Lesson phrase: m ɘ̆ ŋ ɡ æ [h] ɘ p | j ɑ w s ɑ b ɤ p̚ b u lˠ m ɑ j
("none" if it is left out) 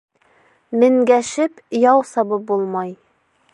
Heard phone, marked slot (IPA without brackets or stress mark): ʃ